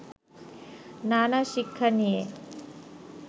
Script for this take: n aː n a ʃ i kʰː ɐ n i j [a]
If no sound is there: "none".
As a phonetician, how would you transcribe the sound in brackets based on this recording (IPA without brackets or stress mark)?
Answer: e